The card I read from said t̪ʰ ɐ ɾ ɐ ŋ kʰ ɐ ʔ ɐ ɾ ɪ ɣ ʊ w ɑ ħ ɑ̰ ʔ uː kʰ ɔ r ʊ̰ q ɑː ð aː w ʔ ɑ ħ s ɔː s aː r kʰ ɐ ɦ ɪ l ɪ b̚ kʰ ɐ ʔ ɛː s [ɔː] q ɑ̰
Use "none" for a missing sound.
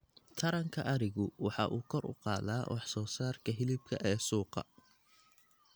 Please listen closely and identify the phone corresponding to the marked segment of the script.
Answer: uː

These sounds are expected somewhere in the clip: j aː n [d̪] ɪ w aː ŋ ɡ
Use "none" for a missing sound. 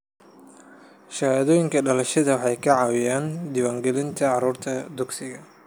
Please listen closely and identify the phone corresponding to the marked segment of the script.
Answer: d̪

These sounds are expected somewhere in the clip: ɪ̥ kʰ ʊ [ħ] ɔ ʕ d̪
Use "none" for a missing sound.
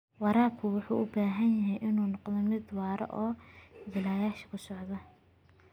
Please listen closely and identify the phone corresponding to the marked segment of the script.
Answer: s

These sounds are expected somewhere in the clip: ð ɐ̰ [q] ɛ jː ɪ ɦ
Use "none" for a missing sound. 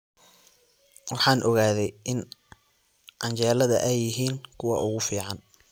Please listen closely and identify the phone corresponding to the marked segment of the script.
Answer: ʔ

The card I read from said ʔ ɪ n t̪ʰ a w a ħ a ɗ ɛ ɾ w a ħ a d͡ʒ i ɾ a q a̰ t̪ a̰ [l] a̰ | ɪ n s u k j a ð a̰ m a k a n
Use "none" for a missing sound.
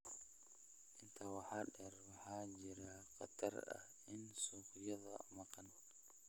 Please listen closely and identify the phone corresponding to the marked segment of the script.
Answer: ɾ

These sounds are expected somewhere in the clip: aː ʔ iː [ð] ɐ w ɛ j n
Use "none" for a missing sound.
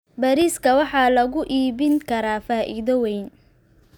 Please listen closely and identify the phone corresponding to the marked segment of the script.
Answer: ð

